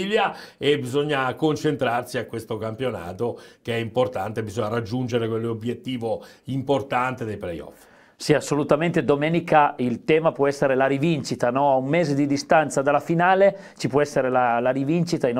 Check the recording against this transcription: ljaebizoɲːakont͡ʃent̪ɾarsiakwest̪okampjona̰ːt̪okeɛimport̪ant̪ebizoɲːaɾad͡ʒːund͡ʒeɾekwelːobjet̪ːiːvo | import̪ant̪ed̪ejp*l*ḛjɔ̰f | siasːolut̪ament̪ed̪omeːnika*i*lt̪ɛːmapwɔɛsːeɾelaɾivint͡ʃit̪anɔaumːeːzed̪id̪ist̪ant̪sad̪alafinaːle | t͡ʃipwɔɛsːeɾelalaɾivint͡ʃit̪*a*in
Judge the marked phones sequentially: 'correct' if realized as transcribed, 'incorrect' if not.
correct, correct, correct

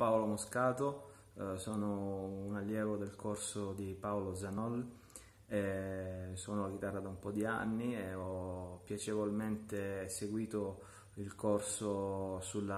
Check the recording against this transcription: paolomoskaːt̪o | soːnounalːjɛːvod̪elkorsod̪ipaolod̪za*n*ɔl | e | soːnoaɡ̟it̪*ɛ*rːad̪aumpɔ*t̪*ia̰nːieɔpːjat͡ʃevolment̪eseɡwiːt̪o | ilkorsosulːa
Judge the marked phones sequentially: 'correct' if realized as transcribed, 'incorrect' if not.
correct, incorrect, incorrect

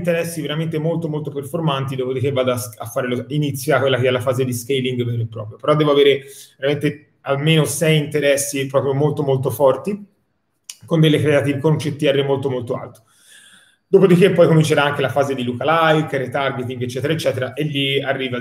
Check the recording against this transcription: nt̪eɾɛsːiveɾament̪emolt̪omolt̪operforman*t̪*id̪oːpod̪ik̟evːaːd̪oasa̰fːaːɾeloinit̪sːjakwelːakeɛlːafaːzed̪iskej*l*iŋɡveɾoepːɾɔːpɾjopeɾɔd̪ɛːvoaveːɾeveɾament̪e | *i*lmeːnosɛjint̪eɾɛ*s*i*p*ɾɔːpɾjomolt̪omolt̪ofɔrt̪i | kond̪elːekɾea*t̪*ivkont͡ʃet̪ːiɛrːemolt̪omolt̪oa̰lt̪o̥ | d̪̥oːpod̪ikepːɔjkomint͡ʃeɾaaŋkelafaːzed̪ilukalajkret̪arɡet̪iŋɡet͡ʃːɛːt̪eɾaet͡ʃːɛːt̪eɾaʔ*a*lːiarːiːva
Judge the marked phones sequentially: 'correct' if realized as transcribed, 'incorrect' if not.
correct, correct, incorrect, incorrect, correct, correct, incorrect

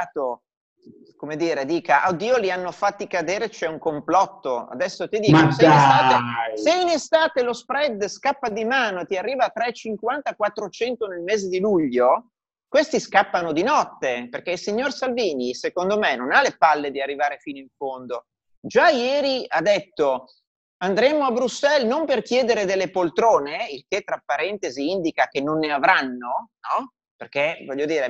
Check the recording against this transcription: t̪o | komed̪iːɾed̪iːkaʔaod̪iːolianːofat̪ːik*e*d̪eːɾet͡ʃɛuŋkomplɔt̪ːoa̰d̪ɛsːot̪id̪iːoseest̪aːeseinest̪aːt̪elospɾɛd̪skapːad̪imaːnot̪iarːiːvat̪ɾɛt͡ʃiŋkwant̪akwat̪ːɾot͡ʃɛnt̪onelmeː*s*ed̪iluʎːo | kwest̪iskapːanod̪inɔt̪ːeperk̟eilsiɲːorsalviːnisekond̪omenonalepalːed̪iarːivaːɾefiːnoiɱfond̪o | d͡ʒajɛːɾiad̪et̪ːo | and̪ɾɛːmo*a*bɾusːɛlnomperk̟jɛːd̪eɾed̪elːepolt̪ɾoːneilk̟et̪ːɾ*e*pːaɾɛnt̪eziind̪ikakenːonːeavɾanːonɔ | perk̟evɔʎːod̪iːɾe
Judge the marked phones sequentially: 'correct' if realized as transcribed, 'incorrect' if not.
incorrect, incorrect, correct, incorrect

